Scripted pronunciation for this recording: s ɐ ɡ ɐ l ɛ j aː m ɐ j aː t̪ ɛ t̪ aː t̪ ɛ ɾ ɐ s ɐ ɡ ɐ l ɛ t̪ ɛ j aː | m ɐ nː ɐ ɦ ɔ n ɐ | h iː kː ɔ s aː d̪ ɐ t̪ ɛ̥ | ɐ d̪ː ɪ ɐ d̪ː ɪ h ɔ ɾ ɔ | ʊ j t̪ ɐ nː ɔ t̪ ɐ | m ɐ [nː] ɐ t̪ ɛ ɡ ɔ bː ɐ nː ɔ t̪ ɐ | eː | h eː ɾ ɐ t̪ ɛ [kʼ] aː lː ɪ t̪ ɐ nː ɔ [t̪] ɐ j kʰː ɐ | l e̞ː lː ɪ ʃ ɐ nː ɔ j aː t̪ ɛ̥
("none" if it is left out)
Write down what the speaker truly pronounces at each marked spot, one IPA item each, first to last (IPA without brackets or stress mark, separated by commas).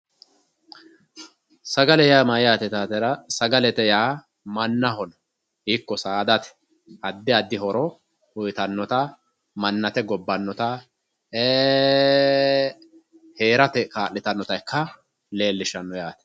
nː, k, t̪